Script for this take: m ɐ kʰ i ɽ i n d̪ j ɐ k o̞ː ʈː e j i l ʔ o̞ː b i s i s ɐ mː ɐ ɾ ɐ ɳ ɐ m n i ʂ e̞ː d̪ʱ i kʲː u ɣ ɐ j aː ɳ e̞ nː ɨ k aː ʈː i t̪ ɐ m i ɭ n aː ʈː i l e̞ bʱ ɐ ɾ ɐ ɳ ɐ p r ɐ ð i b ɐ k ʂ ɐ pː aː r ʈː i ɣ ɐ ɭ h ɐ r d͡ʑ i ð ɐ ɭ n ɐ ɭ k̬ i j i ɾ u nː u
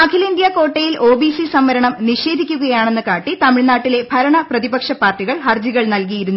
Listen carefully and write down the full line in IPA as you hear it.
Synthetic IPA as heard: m ɐ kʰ i l i n d̪ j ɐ k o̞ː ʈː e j i l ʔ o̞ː b i s i s ɐ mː ɐ ɾ ɐ ɳ ɐ m n i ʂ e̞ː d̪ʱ i kʲː u ɣ ɐ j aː ɳ e̞ nː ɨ k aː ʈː i t̪ ɐ m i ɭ n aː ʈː i l e̞ bʱ ɐ ɾ ɐ ɳ ɐ p r ɐ ð i b ɐ k ʂ ɐ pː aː r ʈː i ɣ ɐ ɭ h ɐ r d͡ʑ i ɣ ɐ ɭ n ɐ l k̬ i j i ɾ u nː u